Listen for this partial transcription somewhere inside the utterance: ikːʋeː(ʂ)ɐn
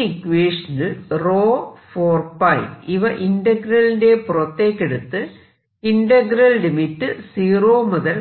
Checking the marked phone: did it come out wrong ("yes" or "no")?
no